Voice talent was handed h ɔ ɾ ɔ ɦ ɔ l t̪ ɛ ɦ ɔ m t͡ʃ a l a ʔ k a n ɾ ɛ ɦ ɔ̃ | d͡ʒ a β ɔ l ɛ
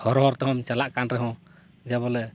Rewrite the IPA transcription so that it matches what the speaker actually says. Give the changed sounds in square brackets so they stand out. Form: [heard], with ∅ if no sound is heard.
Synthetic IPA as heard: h ɔ ɾ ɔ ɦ ɔ [ɾ] t̪ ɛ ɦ ɔ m t͡ʃ a l a ʔ k a n ɾ ɛ ɦ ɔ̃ | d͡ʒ a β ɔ l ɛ